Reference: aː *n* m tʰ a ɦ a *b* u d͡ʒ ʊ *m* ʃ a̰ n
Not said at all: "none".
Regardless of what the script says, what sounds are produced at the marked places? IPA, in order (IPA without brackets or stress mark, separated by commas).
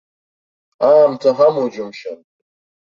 none, m, m